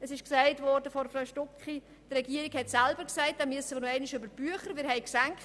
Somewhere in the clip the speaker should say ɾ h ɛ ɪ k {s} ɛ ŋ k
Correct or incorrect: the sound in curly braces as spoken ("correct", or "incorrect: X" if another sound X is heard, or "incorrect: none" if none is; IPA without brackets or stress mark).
correct